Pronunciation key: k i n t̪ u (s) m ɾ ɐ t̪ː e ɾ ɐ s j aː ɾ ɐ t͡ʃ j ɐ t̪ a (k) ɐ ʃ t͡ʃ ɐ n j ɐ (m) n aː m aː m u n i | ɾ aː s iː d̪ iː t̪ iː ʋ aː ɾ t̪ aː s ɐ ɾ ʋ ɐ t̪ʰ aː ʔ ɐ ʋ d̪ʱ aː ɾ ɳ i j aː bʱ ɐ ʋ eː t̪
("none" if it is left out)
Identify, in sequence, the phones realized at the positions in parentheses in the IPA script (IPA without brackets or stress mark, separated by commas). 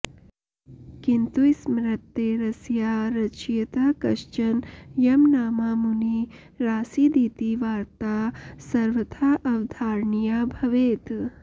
s, k, m